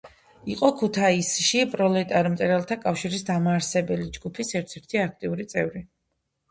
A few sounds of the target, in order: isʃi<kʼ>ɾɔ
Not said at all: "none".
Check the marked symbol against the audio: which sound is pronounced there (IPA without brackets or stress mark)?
pʼ